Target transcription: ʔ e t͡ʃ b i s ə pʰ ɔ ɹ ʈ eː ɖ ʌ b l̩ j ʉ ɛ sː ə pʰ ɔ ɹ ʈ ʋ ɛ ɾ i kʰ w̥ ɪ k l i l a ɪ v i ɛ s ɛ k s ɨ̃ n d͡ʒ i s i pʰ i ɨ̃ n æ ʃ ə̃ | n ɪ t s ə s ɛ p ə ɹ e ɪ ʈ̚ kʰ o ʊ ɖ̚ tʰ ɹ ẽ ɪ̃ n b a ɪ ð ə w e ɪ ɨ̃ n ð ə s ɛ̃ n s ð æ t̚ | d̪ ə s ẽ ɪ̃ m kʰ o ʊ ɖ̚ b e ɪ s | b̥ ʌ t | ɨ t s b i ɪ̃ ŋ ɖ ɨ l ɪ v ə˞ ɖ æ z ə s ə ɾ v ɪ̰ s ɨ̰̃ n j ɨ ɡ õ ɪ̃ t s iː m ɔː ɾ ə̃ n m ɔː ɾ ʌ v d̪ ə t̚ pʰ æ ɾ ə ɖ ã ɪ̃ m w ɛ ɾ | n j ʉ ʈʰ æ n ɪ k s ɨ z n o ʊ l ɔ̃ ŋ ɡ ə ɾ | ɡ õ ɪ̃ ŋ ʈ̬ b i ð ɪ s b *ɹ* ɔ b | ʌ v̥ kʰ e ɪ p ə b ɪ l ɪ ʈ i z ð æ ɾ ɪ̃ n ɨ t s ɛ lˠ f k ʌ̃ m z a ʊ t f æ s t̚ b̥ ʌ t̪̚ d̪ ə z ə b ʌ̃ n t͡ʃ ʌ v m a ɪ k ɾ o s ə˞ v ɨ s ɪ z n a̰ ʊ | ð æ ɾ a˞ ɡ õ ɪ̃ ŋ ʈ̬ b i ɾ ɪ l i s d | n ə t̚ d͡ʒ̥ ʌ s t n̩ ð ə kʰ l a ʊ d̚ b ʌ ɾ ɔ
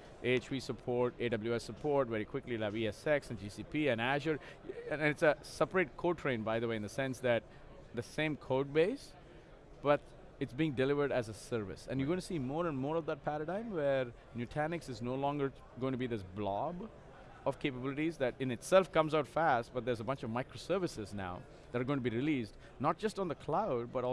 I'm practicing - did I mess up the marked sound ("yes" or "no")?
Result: yes